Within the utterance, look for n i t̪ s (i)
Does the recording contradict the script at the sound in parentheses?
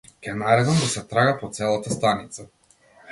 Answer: yes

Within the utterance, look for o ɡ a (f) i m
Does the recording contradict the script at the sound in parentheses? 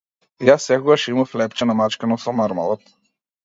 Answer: yes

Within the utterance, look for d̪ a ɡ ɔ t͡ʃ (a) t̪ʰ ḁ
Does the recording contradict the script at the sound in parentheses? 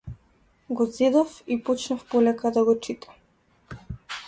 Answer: yes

